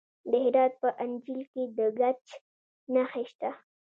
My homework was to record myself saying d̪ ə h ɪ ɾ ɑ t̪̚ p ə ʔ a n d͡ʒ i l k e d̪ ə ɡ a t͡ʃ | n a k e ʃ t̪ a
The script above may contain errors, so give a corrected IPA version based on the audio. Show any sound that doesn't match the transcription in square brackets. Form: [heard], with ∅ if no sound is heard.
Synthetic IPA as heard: d̪ ə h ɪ ɾ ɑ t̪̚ p ə ʔ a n d͡ʒ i l k e d̪ ə ɡ a t͡ʃ | n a [x] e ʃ t̪ a